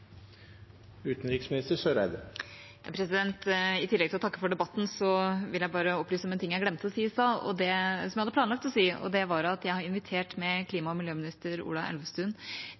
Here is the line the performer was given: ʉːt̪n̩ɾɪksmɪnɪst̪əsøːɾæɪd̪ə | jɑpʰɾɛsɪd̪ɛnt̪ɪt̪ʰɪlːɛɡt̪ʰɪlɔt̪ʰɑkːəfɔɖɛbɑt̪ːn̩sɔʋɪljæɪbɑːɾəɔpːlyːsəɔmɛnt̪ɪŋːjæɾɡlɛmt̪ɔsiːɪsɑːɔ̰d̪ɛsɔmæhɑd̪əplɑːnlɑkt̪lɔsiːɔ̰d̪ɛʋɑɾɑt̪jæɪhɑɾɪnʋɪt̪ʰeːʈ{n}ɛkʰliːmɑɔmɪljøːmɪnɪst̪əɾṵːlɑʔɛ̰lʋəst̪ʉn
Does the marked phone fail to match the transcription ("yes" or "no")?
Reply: yes